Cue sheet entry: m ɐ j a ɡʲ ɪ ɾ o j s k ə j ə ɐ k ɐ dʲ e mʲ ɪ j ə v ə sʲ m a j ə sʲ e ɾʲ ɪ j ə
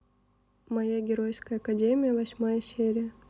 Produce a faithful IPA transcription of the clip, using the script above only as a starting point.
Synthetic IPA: m ɐ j a ɡʲ ɪ ɾ o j s k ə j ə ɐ k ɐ dʲ e mʲ ɪ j ə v ɐ sʲ m a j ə sʲ e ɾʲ ɪ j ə